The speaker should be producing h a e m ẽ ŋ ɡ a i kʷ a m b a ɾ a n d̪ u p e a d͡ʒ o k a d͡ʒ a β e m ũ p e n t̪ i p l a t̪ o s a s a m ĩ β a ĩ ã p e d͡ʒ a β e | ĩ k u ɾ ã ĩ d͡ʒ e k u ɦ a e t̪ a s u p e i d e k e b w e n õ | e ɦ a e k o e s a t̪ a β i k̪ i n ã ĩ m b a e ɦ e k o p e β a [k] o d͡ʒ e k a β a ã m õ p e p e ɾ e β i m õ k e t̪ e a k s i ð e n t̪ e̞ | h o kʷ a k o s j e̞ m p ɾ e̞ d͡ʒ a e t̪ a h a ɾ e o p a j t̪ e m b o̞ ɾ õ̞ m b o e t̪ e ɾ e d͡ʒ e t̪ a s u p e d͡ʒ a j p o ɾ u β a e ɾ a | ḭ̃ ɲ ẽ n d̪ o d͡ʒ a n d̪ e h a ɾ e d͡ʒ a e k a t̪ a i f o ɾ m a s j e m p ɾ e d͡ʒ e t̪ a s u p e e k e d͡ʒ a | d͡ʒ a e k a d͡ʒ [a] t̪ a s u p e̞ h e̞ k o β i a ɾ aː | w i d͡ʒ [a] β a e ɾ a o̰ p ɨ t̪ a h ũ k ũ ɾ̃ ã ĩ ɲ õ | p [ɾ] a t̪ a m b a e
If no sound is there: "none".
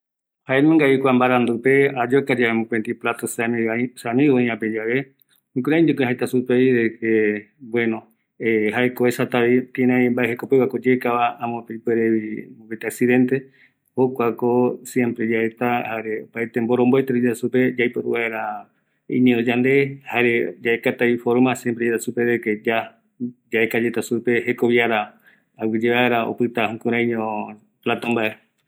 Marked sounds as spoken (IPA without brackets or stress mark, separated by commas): k, e, e, l